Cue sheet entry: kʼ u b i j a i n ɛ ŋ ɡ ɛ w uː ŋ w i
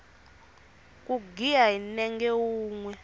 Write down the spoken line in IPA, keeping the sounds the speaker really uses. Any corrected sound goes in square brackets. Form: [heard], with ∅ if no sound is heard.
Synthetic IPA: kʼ u [ɡ] i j a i n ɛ ŋ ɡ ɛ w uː ŋ w [ɛ]